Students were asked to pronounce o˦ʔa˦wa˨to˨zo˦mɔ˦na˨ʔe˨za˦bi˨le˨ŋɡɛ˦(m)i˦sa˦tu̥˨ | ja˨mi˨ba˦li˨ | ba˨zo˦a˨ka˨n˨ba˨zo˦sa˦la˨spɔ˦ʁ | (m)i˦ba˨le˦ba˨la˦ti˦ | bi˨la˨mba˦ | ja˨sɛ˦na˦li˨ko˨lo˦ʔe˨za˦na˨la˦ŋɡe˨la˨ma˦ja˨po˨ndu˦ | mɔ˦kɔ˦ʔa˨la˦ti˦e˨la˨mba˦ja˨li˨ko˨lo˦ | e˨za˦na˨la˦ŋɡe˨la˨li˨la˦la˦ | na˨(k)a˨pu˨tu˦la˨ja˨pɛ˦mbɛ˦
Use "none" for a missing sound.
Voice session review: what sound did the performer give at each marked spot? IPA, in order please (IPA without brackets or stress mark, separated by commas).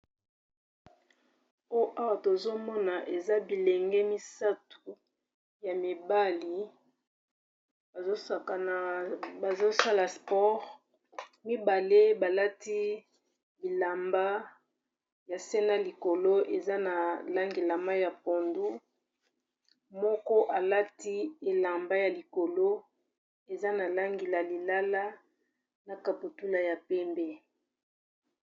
m, m, k